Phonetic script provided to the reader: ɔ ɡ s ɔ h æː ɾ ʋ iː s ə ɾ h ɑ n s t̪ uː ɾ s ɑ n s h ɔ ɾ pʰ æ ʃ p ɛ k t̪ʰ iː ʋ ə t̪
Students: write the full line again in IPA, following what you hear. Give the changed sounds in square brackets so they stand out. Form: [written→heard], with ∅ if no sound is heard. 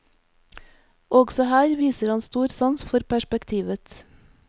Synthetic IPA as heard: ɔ ɡ s ɔ h æː ɾ ʋ iː s ə ɾ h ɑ n s t̪ uː ɾ s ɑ n s [h→f] ɔ ɾ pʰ æ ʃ p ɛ k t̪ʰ iː ʋ ə t̪

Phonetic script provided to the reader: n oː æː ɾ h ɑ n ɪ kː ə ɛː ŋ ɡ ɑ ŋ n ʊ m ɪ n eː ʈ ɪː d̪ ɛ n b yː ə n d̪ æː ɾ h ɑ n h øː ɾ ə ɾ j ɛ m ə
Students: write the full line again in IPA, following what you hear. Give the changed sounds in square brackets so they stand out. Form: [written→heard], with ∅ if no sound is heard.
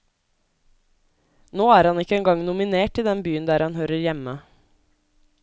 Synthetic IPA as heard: n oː æː ɾ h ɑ n ɪ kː ə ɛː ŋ ɡ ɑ ŋ n ʊ m ɪ n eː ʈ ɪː d̪ ɛ n b yː ə n d̪ æː ɾ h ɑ n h øː ɾ ə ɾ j ɛ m ə

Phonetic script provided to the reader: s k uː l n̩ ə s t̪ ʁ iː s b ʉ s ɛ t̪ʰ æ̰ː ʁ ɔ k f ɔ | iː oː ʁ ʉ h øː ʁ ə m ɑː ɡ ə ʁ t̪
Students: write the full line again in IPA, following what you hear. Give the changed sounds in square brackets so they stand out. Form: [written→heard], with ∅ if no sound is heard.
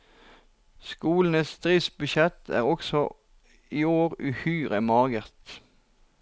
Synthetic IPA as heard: s k uː l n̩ ə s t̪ ʁ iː s b ʉ [s→ʃ] ɛ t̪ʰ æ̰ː ʁ ɔ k [f→s] ɔ | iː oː ʁ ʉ h [øː→yː] ʁ ə m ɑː ɡ ə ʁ t̪

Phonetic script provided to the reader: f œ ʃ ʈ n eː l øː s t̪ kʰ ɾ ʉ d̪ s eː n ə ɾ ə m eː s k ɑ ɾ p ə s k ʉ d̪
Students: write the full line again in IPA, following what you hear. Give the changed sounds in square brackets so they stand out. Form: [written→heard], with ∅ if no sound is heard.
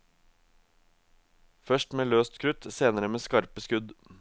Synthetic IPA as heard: f œ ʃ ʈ [n→m] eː l øː s t̪ kʰ ɾ ʉ [d̪→t̪] s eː n ə ɾ ə m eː s k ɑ ɾ p ə s k ʉ d̪

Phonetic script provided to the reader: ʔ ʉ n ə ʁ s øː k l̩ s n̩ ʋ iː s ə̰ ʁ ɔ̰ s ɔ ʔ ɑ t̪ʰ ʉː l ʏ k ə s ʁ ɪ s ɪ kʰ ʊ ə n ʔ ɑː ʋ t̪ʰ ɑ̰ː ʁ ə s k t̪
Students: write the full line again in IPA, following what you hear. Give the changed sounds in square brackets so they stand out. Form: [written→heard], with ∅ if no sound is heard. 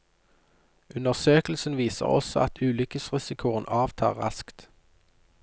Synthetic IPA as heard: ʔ ʉ n ə ʁ s øː k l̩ s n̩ ʋ iː s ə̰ ʁ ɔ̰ s ɔ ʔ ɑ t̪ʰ ʉː l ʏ k ə s ʁ ɪ s ɪ kʰ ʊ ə n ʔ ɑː ʋ t̪ʰ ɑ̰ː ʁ [ə→ɑ] s k t̪

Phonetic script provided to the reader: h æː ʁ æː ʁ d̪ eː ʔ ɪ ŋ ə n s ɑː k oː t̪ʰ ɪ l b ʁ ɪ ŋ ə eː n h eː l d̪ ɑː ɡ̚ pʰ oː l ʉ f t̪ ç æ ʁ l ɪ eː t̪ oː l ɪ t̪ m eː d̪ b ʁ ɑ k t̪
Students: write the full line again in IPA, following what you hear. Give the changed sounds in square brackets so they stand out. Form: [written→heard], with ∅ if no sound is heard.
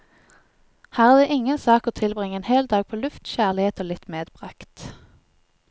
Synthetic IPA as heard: h æː ʁ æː ʁ d̪ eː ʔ ɪ ŋ ə n s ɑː k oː t̪ʰ ɪ l b ʁ ɪ ŋ ə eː n h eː l d̪ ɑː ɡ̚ pʰ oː l ʉ f t̪ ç æ ʁ l ɪ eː t̪ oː l ɪ t̪ m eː d̪ b ʁ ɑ k t̪

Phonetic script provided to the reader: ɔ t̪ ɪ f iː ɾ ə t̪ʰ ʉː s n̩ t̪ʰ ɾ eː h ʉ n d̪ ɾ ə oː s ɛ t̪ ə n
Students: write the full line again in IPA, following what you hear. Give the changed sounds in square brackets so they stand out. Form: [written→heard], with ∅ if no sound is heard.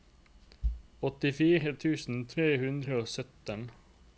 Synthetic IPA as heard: ɔ t̪ ɪ f iː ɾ ə t̪ʰ ʉː s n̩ t̪ʰ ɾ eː h ʉ n d̪ ɾ ə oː s [ɛ→œ] t̪ ə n

